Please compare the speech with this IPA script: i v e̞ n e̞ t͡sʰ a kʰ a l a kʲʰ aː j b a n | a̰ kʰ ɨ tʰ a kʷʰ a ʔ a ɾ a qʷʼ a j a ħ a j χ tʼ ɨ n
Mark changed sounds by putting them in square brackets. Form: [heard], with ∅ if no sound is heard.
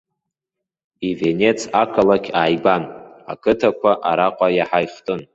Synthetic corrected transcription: i v e̞ n e̞ t͡sʰ a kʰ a l a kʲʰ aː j b a n | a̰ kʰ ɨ tʰ a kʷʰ a ʔ a ɾ a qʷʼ a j a ħ a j χ tʼ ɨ n